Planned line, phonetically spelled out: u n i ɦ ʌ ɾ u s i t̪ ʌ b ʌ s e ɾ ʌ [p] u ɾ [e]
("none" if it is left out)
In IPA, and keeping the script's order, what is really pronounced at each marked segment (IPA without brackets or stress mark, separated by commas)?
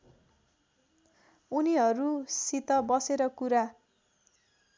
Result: k, a